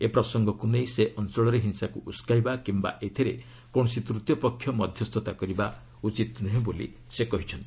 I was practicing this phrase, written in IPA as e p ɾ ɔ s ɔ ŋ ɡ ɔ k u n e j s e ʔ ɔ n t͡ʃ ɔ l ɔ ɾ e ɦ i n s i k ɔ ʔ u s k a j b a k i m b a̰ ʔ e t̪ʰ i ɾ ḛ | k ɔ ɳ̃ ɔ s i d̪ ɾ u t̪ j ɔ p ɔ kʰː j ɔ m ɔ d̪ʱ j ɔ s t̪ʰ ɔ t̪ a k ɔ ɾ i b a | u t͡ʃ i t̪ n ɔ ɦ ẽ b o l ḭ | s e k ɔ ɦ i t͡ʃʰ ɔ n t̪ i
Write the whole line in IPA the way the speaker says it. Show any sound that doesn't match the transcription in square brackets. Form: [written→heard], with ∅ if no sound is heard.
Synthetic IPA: e p ɾ ɔ s ɔ ŋ ɡ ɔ k u n e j s e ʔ ɔ n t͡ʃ ɔ [l→ɭ] ɔ ɾ e ɦ i n s [i→a] k [ɔ→u] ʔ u s k a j b a k i m b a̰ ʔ e t̪ʰ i ɾ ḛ | k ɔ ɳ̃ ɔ s i [d̪→t̪] ɾ u t̪ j ɔ p ɔ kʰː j ɔ m ɔ d̪ʱ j ɔ s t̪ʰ ɔ t̪ a k ɔ ɾ i b a | u t͡ʃ i t̪ n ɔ ɦ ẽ b o l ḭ | s e k ɔ ɦ i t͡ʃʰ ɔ n t̪ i